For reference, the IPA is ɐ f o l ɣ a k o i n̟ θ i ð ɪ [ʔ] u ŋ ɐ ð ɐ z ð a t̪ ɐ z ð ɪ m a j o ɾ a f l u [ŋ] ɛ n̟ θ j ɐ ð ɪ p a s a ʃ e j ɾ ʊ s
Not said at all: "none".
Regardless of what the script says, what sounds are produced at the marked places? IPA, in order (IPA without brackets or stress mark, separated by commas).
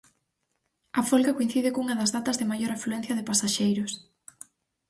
k, none